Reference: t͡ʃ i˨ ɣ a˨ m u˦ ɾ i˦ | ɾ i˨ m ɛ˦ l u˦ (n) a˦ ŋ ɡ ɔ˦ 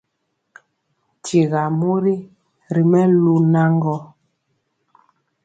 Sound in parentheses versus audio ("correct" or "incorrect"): correct